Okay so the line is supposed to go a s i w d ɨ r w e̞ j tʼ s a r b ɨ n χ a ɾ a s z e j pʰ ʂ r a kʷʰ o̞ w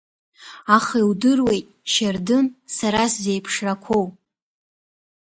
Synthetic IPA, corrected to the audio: a χ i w d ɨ r w e̞ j tʼ ʃ a r d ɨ n s a ɾ a s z e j pʰ ʂ r a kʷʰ o̞ w